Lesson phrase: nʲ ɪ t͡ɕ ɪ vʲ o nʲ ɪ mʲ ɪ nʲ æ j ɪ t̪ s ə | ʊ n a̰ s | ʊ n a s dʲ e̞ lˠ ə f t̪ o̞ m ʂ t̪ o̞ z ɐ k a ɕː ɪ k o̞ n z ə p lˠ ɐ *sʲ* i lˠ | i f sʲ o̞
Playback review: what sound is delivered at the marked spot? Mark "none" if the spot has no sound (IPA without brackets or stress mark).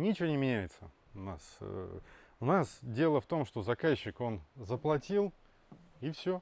tʲ